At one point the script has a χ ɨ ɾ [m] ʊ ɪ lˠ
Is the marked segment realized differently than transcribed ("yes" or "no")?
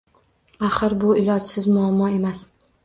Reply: yes